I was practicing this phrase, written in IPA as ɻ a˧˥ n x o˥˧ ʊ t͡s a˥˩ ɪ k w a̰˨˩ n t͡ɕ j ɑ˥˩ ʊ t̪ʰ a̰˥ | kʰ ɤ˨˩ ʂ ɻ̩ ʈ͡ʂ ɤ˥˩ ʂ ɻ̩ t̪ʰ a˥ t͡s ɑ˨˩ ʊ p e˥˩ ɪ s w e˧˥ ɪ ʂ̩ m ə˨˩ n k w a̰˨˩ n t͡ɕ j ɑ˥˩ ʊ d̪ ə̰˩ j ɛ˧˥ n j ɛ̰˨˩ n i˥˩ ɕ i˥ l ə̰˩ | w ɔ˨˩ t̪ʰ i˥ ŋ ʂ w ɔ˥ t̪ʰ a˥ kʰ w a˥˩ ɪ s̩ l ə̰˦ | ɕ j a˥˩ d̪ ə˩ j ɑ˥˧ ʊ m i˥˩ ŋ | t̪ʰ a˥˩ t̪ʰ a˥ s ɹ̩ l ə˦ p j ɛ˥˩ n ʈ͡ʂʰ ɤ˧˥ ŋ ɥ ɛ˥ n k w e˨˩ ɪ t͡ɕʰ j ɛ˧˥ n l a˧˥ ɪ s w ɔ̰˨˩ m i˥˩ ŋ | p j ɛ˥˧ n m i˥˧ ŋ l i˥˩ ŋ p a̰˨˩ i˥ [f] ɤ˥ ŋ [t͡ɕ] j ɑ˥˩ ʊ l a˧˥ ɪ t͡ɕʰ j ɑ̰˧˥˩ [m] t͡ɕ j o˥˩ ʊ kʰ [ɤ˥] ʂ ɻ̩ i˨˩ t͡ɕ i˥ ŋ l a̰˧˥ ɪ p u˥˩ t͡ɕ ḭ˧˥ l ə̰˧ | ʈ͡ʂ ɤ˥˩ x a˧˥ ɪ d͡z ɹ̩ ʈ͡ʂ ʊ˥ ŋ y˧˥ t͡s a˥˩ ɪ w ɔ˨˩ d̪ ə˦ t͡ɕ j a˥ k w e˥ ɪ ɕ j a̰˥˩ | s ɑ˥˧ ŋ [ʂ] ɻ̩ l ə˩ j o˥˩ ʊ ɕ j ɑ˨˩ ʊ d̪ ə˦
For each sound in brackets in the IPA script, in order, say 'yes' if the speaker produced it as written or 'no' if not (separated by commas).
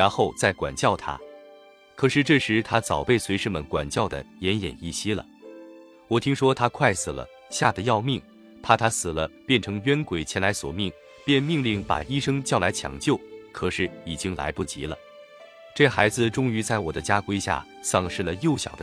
no, yes, no, no, yes